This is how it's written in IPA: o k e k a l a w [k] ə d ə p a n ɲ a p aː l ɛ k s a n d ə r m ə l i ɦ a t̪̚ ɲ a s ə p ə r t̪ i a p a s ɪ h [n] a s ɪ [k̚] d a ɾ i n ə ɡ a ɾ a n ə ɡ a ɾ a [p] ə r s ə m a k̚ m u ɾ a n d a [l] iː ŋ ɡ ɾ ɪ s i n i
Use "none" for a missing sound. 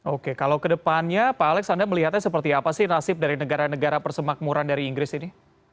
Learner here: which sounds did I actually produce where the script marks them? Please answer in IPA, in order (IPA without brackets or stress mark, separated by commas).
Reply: k, n, p̚, p, ɾ